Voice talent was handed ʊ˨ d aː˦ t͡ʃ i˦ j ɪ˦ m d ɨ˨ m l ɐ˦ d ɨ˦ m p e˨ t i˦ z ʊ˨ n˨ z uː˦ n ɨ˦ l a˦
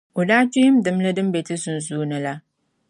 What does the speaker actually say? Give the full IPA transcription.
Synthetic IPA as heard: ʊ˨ d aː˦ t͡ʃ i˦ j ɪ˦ m d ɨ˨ m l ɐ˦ d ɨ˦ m b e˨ t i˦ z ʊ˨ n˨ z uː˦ n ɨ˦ l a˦

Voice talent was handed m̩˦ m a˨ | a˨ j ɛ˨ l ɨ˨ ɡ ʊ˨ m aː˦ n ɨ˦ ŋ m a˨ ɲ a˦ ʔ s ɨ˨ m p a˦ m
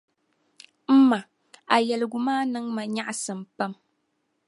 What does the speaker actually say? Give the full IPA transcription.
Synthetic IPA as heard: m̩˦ m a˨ | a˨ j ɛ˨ l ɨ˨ ɡ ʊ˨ m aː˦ n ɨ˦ ŋ m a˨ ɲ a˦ ʔ s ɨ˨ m p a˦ m

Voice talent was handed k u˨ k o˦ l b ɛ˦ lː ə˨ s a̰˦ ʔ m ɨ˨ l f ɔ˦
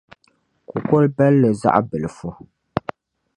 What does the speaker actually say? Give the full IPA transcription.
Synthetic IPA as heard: k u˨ k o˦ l b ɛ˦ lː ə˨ z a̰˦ ʔ b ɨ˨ l f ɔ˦

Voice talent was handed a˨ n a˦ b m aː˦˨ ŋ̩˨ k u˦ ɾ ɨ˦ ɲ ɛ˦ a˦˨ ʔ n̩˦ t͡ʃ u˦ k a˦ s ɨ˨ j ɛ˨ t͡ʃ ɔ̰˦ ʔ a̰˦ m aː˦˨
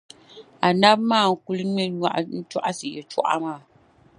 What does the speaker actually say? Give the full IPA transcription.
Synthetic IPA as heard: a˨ n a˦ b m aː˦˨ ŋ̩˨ k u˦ l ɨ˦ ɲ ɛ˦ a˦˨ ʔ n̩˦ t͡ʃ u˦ ʔ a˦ s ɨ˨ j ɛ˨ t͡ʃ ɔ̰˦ ʔ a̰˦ m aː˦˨

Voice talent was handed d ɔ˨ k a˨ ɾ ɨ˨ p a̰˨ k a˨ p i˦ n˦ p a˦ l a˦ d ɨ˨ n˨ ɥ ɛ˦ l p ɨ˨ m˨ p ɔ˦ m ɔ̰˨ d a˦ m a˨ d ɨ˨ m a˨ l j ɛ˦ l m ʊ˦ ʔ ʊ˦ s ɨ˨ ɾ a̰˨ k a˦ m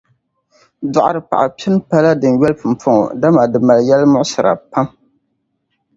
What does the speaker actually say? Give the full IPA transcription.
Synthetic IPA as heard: d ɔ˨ ʔ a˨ ɾ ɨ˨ p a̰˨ ʔ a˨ p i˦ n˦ p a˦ l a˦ d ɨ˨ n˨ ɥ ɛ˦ l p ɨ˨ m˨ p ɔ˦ ŋ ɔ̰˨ d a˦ m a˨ d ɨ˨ m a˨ l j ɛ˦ l m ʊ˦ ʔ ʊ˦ s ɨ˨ ɾ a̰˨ p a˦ m

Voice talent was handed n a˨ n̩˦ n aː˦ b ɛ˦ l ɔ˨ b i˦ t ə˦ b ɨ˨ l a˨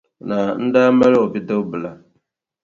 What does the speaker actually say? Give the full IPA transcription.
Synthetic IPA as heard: n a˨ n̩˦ d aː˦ m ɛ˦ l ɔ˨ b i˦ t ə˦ b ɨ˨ l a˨

